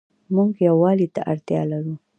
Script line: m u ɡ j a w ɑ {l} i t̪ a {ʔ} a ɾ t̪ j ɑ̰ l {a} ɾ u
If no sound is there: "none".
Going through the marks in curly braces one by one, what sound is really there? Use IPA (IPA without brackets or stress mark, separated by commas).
l, ʔ, a